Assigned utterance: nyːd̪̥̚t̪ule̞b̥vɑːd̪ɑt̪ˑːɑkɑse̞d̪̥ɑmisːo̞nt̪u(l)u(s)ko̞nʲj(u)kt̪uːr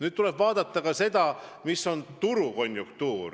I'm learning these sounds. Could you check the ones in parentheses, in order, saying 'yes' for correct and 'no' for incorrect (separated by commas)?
no, no, yes